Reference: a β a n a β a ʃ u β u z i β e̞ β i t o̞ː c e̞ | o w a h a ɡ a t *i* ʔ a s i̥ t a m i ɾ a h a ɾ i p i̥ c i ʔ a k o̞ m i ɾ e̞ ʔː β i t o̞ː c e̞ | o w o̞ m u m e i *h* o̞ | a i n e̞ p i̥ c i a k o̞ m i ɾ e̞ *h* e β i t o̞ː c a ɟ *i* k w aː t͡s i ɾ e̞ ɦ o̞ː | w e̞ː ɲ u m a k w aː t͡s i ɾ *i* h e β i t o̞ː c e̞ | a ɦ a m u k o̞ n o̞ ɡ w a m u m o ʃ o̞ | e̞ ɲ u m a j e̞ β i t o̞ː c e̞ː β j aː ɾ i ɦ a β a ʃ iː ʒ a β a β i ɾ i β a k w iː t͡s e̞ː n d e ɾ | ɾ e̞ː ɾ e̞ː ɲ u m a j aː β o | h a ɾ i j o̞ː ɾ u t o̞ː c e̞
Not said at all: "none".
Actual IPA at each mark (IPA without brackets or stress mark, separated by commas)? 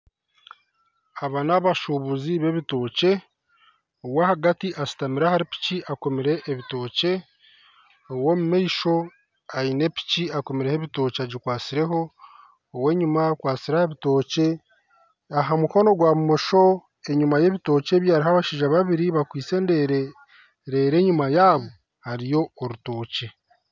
i, ʃ, h, i, a